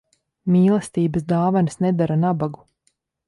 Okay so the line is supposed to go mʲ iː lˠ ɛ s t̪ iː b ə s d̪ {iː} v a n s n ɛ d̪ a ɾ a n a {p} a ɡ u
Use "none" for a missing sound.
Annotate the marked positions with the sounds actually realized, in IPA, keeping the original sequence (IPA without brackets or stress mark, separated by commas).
aː, b